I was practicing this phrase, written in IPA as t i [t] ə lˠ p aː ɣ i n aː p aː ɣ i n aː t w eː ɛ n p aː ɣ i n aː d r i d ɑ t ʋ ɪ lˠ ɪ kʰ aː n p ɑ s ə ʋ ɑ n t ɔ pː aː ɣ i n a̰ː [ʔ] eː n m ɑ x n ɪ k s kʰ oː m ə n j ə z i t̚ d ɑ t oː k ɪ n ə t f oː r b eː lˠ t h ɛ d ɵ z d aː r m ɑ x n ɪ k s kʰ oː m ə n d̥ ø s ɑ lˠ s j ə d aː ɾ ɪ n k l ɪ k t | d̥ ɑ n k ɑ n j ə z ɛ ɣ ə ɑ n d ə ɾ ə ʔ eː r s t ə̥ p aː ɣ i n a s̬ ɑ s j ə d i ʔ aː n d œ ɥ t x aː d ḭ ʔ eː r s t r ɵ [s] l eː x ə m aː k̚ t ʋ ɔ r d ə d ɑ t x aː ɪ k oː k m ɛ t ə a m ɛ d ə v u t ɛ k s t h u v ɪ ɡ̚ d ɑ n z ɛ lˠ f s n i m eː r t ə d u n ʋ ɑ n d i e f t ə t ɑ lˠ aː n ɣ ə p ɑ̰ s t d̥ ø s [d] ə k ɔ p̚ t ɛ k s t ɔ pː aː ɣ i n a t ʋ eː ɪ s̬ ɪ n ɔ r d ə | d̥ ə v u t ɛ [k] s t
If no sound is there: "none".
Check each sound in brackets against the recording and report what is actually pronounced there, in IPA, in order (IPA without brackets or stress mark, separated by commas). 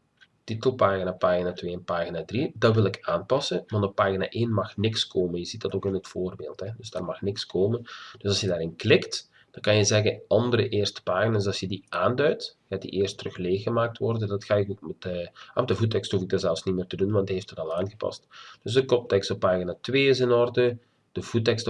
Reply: t, ʔ, x, d, k